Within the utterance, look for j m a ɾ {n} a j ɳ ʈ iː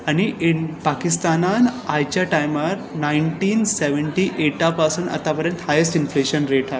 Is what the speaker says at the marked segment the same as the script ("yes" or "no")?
yes